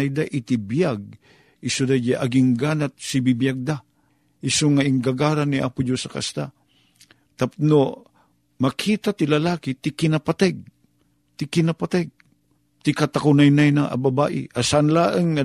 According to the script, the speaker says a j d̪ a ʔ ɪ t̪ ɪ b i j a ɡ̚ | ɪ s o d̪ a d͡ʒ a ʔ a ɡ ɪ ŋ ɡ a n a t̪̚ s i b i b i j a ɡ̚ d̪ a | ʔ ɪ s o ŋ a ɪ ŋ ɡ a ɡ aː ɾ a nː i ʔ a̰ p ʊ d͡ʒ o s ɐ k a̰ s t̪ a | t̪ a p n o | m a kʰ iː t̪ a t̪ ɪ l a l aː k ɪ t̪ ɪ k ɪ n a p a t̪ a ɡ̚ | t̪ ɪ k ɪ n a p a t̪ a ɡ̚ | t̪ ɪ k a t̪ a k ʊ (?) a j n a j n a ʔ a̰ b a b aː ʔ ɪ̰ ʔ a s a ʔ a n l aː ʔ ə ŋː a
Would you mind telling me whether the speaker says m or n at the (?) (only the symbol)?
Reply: n